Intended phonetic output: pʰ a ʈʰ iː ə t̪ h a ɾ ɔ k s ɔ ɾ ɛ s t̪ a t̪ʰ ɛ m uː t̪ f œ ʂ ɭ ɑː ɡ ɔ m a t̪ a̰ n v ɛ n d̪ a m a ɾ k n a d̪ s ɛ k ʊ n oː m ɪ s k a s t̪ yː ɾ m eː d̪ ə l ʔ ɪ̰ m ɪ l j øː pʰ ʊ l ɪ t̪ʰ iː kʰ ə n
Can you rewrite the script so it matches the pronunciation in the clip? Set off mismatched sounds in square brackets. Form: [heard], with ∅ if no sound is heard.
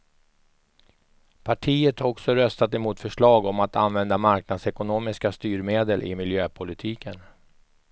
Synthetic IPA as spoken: pʰ a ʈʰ iː ə t̪ h a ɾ ɔ k s ɔ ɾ [œ] s t̪ a [t̪] ɛ m uː t̪ f œ ʂ ɭ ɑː ɡ ɔ m a t̪ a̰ n v ɛ n d̪ a m a ɾ k n a d̪ s ɛ k ʊ n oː m ɪ s k a s t̪ yː ɾ m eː d̪ ə l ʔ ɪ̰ m ɪ l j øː pʰ ʊ l ɪ t̪ʰ iː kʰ ə n